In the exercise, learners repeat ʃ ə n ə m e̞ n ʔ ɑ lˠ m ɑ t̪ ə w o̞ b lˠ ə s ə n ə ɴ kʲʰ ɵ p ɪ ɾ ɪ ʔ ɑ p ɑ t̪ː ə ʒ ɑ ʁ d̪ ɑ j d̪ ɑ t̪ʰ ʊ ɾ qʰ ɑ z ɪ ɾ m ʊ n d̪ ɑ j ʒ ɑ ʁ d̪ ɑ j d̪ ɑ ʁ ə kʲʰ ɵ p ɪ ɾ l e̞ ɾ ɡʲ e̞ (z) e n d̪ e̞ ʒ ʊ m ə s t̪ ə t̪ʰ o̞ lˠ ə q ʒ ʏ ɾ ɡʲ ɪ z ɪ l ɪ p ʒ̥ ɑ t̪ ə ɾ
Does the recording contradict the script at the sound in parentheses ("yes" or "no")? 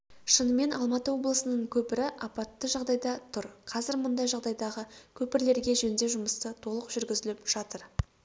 yes